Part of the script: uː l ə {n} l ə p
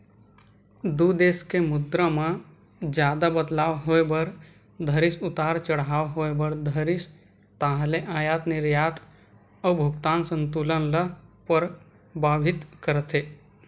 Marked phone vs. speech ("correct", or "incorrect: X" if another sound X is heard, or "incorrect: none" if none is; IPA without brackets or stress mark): correct